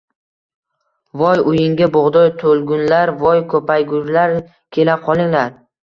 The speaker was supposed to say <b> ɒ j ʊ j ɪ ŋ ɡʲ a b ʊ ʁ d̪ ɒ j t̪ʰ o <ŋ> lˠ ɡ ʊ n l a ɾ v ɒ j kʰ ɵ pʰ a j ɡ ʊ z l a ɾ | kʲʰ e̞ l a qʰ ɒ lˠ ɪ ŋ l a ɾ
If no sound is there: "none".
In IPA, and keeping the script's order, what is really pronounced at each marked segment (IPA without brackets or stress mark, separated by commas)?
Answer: v, none